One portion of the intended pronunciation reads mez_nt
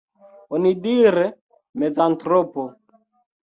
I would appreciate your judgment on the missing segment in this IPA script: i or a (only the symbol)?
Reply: a